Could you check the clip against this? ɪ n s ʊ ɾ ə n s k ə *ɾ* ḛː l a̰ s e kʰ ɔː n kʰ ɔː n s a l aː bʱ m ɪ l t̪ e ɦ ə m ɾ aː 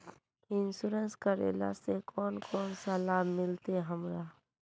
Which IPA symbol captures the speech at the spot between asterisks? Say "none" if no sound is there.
ɾ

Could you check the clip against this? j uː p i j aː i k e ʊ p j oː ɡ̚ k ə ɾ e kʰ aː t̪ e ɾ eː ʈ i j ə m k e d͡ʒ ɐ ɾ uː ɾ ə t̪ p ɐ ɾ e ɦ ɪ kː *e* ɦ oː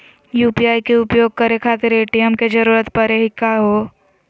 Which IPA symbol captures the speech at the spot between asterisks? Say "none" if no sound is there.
a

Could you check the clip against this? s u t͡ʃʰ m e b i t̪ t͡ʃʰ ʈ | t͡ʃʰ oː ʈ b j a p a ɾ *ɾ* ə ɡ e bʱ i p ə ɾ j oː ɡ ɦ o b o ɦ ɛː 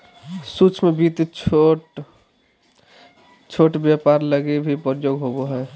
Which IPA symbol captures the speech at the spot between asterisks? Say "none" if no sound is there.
l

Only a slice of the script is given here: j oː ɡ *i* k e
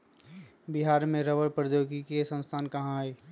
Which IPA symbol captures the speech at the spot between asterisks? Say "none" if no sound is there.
i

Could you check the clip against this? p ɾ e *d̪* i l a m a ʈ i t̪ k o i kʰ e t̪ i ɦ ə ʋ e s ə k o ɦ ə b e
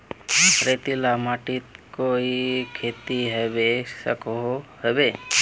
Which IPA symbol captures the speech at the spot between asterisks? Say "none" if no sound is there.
t̪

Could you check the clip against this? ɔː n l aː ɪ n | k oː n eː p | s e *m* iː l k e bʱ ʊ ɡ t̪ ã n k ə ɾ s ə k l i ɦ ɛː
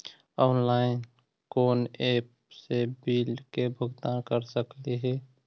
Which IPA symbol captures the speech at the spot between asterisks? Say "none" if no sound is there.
b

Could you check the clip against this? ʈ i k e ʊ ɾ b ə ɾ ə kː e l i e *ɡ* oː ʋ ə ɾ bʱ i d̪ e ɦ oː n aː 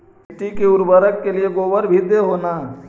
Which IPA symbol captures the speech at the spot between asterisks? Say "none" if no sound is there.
ɡ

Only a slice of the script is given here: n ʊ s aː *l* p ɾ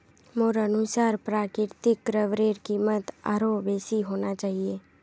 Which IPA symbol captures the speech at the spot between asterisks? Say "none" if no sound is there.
ɾ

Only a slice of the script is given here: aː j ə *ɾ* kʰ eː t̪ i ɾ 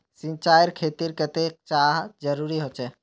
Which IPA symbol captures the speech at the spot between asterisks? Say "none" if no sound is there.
ɾ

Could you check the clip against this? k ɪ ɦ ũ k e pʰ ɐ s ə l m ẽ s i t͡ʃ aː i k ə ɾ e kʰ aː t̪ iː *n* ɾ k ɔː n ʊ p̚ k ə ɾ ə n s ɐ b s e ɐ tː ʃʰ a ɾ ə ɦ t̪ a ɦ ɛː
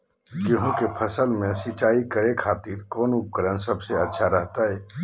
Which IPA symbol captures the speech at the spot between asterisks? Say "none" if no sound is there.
none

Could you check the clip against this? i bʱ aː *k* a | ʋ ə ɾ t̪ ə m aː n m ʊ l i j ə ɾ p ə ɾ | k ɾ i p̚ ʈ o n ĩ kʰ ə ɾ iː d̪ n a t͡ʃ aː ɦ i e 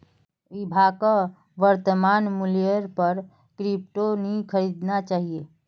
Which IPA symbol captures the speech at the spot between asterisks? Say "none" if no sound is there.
k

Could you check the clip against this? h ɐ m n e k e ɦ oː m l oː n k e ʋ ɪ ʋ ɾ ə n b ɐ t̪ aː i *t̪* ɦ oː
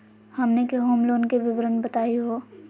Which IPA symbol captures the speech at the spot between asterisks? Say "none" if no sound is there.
none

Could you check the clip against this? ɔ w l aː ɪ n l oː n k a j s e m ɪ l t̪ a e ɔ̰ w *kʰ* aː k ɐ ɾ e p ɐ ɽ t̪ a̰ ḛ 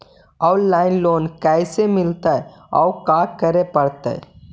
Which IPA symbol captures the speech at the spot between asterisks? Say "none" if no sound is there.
k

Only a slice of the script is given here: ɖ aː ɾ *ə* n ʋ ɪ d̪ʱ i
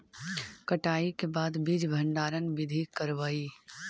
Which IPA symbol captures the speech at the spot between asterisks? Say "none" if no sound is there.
ə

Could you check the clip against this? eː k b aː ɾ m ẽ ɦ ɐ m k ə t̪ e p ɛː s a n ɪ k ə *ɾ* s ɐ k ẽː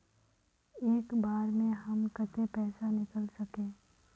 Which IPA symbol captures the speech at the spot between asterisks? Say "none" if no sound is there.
l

